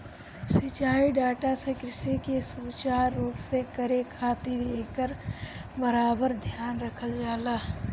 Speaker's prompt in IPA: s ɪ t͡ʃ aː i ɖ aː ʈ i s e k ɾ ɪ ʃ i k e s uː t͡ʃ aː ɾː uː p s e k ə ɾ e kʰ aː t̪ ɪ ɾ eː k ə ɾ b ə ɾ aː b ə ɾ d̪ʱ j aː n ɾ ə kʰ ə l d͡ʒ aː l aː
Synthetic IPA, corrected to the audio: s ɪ t͡ʃ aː i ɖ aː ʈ a s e k ɾ ɪ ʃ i k e s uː t͡ʃ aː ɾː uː p s e k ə ɾ e kʰ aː t̪ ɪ ɾ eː k ə ɾ b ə ɾ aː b ə ɾ d̪ʱ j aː n ɾ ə kʰ ə l d͡ʒ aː l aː

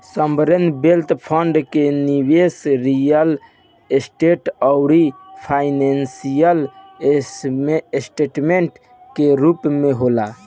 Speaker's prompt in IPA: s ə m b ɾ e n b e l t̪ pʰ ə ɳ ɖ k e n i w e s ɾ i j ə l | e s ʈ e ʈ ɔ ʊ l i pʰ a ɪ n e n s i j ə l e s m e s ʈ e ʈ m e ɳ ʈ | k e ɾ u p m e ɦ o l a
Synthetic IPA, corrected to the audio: s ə m b ɾ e n b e l t̪ pʰ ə ɳ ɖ k e n i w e s ɾ i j ə l | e s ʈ e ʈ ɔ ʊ ɾ i pʰ a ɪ n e n s i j ə l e s m e s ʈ e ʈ m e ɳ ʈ | k e ɾ u p m e ɦ o l a

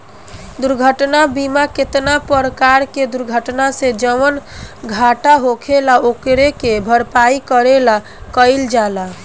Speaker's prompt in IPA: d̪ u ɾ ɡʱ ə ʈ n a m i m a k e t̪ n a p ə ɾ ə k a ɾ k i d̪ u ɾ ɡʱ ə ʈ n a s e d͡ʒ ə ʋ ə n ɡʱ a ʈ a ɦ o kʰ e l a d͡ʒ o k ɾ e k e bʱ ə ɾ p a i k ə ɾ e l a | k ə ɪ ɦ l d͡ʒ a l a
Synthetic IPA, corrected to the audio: d̪ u ɾ ɡʱ ə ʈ n a b i m a k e t̪ n a p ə ɾ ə k a ɾ k e d̪ u ɾ ɡʱ ə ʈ n a s e d͡ʒ ə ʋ ə n ɡʱ a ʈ a ɦ o kʰ e l a o k ɾ e k e bʱ ə ɾ p a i k ə ɾ e l a | k ə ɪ l d͡ʒ a l a

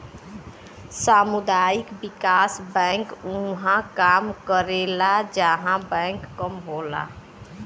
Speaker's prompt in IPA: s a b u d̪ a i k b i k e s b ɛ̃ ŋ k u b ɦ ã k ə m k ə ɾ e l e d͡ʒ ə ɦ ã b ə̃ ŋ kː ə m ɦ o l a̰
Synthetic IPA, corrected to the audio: s a m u d̪ a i k b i k a s b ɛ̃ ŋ k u ɦ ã k a m k ə ɾ e l a d͡ʒ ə ɦ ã b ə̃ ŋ kː ə m ɦ o l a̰

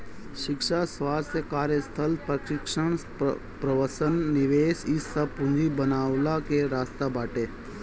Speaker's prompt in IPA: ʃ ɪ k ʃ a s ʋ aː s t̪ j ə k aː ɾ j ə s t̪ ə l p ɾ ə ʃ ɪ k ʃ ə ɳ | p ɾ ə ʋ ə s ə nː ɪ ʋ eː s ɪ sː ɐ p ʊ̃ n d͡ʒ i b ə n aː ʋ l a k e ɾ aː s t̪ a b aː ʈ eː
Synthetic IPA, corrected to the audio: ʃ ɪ k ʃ a s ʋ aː s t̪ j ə k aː ɾ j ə s t̪ʰ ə l p ɾ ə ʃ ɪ k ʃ ə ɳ | p ɾ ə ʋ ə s ə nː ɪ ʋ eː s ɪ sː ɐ p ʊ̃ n d͡ʒ i b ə n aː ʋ l a k e ɾ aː s t̪ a b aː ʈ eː

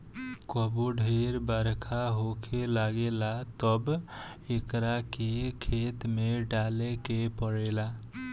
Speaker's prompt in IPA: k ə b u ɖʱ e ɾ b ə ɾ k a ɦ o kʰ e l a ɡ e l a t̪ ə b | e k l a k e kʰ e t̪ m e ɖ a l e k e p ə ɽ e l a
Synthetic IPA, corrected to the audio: k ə b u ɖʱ e ɾ b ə ɾ kʰ a ɦ o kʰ e l a ɡ e l a t̪ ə b | e k ɾ a k e kʰ e t̪ m e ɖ a l e k e p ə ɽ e l a

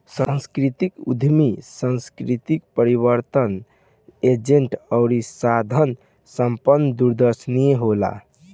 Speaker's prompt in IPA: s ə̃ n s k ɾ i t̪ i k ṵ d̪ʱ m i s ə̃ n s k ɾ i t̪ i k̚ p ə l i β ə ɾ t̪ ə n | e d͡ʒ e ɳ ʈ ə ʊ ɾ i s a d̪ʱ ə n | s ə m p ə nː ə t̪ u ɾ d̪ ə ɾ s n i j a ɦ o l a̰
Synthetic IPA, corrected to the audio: s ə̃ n s k ɾ i t̪ i k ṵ d̪ʱ m i s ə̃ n s k ɾ i t̪ i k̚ p ə ɾ i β ə ɾ t̪ ə n | e d͡ʒ e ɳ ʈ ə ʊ ɾ i s a d̪ʱ ə n | s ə m p ə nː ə d̪ u ɾ d̪ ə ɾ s n i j e ɦ o l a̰

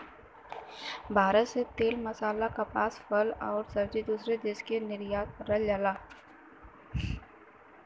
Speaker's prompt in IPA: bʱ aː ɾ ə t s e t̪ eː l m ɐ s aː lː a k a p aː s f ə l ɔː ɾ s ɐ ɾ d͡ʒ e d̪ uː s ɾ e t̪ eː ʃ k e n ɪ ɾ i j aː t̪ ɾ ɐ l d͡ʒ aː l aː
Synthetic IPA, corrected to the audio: bʱ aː ɾ ə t s e t̪ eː l m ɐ s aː l a k a p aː s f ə l ɔː ɾ s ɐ ɾ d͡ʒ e d̪ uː s ɾ e d̪ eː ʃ k e n ɪ ɾ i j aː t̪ ɾ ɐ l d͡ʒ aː l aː

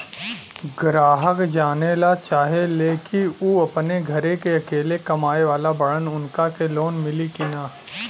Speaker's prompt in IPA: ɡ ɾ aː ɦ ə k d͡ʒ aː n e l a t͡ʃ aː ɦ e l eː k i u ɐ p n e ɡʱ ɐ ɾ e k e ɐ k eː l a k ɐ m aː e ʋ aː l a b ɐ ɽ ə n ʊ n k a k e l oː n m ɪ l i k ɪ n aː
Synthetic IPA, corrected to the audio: ɡ ɾ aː ɦ ə k d͡ʒ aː n e l a t͡ʃ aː ɦ e l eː k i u ɐ p n e ɡʱ ɐ ɾ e k e ɐ k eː l e k ɐ m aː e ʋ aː l a b ɐ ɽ ə n ʊ n k a k e l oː n m ɪ l i k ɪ n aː

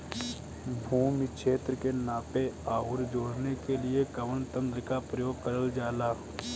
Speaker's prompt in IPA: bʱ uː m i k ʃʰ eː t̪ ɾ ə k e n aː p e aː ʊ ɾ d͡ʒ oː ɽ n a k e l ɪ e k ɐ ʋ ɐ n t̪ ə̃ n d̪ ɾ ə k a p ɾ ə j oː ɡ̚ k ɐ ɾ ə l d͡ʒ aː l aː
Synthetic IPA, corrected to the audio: bʱ uː m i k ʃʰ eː t̪ ɾ ə k e n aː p e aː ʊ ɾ d͡ʒ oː ɽ n e k e l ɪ e k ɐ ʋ ə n t̪ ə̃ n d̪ ɾ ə k a p ɾ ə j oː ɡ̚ k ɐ ɾ ə l d͡ʒ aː l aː

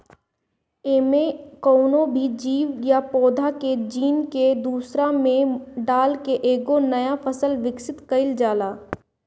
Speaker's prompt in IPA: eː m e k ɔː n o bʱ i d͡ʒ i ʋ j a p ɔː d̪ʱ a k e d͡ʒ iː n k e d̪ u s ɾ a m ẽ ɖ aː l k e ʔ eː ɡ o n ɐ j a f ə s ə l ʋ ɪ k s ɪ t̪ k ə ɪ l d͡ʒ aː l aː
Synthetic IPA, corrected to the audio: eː m e k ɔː n o bʱ i d͡ʒ iː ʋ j a p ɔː d̪ʱ a k e d͡ʒ iː n k e d̪ uː s ɾ a m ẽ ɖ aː l k e ʔ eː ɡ o n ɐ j a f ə s ə l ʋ ɪ k s ɪ t̪ k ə ɪ l d͡ʒ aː l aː

